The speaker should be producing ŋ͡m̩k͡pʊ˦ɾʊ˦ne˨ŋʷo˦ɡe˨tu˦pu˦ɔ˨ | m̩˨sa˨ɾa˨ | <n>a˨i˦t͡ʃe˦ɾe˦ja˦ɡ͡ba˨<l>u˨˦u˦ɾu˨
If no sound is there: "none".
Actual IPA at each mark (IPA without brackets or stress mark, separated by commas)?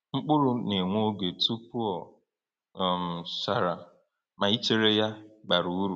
m, ɾ